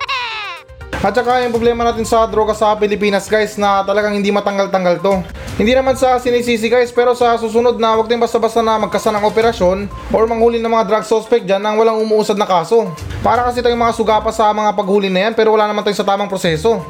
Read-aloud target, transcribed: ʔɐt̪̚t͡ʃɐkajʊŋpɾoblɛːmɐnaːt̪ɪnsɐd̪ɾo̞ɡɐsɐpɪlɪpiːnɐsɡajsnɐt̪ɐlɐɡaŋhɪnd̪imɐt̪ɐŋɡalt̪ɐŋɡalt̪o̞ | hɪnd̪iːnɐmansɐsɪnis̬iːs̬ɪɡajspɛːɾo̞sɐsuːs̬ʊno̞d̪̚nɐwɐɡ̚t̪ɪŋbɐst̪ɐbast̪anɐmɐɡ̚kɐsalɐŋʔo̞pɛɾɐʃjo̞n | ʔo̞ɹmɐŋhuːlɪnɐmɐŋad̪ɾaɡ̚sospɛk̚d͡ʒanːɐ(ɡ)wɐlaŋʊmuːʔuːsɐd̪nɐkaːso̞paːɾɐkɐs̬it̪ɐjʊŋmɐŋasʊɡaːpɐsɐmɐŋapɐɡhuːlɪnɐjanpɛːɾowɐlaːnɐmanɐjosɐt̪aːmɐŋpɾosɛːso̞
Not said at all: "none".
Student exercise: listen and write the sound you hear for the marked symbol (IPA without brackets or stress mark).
ŋ